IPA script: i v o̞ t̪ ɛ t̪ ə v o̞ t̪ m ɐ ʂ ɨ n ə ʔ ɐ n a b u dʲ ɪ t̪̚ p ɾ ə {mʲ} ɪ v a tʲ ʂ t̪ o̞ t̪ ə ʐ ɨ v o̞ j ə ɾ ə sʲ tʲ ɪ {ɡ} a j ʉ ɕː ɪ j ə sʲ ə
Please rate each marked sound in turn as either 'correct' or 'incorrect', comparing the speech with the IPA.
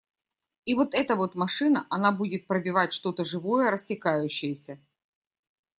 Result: incorrect: bʲ, incorrect: k

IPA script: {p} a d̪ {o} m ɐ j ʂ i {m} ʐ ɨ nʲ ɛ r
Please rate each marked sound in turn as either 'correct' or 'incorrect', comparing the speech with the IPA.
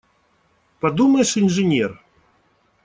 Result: correct, incorrect: u, incorrect: n

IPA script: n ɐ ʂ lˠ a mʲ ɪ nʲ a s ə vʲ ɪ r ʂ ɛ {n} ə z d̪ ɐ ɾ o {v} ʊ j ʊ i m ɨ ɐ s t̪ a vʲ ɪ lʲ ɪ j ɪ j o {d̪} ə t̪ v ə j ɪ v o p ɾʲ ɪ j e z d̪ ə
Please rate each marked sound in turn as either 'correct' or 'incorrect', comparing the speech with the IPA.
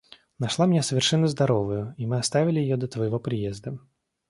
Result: incorrect: nː, correct, correct

